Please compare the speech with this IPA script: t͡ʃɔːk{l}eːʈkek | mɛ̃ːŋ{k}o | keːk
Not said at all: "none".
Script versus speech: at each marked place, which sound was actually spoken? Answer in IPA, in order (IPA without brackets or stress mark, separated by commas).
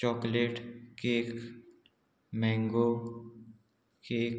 l, ɡ